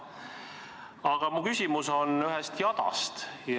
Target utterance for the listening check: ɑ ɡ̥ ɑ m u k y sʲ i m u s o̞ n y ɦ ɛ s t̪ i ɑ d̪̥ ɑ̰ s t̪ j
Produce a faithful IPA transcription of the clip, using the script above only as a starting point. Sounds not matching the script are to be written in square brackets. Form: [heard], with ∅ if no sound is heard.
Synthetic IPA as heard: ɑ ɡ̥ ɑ m u k y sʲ i m u s o̞ n y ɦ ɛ s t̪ [j] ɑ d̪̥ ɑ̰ s t̪ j